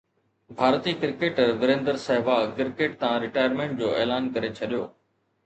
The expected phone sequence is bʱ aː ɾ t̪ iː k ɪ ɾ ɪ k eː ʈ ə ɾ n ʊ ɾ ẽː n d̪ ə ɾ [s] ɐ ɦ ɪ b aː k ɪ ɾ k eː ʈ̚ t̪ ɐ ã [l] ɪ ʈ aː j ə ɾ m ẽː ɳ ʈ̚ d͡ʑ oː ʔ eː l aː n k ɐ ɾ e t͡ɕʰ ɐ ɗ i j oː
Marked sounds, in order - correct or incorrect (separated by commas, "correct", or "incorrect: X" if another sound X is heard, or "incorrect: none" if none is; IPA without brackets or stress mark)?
correct, incorrect: ɾ